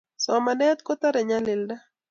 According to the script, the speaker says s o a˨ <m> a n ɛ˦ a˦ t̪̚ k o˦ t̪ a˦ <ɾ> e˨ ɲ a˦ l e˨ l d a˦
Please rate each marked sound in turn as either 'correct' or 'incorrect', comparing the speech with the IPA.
correct, correct

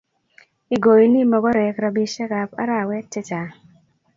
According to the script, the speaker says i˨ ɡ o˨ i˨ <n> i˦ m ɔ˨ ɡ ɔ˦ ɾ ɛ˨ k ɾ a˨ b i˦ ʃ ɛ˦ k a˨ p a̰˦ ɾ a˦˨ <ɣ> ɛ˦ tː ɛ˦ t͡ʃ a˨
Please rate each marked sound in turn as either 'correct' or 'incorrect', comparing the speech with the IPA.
correct, incorrect: w

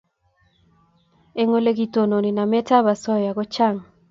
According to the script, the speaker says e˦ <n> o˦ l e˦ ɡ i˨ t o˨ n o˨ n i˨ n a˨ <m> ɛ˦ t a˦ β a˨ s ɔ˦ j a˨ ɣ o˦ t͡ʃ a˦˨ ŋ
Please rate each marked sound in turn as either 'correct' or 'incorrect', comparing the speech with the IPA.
incorrect: ŋ, correct

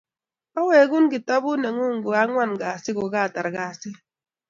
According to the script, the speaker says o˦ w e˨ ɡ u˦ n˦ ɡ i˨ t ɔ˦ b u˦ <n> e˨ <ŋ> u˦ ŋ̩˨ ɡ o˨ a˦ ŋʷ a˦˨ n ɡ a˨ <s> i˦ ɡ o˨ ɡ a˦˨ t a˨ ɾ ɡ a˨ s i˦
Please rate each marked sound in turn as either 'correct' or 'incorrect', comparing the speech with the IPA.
correct, correct, correct

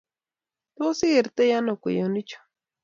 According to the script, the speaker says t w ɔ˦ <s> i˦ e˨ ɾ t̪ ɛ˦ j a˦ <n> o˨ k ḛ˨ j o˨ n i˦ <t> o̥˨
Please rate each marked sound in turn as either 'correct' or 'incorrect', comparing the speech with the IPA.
correct, correct, incorrect: t͡ʃ

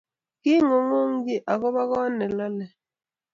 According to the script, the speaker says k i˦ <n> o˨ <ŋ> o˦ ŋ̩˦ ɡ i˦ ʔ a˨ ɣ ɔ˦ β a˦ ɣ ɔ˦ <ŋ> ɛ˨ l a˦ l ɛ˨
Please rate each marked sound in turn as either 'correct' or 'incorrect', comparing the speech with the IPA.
incorrect: ŋ, correct, incorrect: n

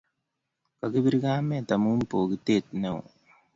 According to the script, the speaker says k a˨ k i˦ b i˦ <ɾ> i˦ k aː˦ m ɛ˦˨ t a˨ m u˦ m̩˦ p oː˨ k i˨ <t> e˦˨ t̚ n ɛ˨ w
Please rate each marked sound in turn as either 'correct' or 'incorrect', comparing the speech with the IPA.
correct, correct

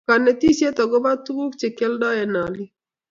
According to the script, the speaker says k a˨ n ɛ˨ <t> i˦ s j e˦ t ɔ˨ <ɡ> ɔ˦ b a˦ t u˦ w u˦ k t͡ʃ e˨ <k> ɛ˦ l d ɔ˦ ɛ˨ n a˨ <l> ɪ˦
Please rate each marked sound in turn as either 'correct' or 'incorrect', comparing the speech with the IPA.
correct, correct, correct, correct

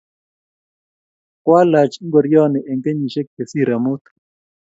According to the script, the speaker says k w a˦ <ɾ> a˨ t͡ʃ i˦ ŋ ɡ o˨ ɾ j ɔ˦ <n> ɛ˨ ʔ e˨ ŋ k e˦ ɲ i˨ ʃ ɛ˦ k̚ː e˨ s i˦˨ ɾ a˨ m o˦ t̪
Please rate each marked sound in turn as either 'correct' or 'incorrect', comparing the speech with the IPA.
incorrect: l, correct

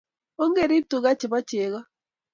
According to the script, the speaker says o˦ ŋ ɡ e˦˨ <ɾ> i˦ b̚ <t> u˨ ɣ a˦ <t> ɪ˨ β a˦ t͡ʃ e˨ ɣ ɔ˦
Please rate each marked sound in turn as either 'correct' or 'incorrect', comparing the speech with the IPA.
correct, correct, incorrect: t͡ʃ

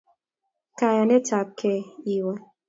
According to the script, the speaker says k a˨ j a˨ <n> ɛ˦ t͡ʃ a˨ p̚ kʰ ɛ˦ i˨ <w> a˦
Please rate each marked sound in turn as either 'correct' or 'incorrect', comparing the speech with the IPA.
correct, correct

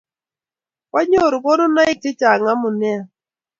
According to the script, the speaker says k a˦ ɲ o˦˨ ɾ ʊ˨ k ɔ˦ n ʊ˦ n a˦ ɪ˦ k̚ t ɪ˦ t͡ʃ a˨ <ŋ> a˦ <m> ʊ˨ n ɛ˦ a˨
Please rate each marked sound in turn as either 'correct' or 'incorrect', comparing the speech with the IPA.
correct, correct

